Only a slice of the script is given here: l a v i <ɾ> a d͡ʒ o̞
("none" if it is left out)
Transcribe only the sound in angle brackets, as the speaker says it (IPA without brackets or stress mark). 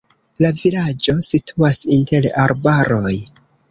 l